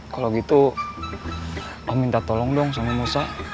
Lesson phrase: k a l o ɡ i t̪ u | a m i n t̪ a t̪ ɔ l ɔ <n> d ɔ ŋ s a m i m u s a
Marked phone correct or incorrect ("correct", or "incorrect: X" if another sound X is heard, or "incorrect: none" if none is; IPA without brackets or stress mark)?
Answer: incorrect: ŋ